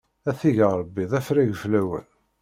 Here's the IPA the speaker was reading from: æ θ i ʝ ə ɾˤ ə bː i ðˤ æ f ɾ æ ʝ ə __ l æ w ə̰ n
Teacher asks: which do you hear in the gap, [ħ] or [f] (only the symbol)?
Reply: f